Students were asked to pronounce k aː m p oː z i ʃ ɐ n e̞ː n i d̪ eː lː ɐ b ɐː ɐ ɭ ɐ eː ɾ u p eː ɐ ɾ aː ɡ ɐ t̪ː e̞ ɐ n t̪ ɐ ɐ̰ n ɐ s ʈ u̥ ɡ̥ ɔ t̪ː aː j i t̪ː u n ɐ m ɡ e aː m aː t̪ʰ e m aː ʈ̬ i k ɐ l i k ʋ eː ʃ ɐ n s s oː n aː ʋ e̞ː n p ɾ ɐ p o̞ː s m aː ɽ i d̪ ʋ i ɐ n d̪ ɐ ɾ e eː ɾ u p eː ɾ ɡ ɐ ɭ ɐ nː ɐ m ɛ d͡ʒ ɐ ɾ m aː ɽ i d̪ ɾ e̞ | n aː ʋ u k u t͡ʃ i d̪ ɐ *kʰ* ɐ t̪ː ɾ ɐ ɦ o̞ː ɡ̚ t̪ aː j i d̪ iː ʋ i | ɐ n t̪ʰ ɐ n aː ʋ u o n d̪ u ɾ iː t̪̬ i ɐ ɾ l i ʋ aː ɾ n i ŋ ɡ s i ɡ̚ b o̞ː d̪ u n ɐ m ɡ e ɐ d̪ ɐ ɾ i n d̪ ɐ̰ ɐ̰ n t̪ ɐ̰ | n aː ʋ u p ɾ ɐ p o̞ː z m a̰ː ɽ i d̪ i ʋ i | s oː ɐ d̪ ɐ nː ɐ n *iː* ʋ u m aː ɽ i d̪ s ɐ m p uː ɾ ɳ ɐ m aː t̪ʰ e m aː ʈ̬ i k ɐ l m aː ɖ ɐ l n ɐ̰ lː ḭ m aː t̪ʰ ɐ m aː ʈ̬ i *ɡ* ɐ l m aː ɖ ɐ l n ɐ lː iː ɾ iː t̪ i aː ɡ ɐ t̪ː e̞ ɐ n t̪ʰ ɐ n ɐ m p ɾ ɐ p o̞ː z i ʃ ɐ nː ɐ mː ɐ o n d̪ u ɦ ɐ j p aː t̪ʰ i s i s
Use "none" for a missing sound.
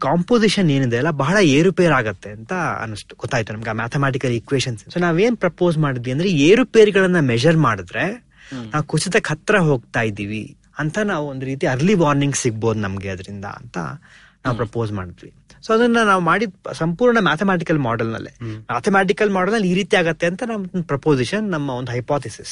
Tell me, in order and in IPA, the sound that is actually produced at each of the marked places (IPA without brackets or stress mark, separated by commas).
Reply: kʰ, aː, k